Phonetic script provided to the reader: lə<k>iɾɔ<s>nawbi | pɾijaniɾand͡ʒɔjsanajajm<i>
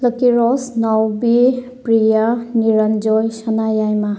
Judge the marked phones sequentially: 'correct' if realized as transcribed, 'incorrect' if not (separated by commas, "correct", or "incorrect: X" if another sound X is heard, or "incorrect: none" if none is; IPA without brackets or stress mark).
correct, correct, incorrect: a